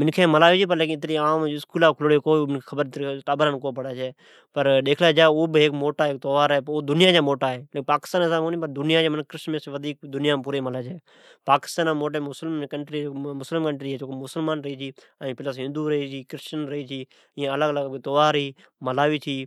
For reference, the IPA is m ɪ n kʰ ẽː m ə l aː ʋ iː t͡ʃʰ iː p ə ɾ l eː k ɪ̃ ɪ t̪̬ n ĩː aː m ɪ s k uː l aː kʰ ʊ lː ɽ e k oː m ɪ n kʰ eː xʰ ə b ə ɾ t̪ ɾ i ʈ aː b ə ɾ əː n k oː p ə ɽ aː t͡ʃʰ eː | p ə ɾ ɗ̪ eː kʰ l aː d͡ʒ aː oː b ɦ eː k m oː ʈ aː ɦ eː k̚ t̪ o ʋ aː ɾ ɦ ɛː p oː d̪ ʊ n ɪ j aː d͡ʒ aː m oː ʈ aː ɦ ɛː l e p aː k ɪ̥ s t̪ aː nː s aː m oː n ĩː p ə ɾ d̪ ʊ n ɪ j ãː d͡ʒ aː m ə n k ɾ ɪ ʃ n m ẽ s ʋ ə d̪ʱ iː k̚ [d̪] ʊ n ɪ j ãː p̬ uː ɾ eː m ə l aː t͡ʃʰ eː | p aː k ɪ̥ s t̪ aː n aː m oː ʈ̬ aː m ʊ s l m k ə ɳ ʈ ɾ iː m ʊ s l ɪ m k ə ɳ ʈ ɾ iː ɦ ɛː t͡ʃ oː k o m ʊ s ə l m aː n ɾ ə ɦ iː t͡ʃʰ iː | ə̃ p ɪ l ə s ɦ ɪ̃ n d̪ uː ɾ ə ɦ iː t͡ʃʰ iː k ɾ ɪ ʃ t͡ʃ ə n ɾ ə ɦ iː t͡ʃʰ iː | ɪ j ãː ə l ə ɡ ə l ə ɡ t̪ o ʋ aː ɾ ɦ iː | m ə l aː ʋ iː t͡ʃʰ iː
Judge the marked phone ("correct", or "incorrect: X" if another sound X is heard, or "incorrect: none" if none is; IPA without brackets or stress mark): correct